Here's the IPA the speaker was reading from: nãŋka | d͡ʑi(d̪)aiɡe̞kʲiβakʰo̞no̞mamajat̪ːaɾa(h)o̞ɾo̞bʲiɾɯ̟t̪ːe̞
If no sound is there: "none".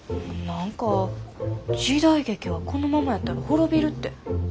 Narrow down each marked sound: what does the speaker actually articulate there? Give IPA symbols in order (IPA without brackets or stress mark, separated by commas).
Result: d̪, h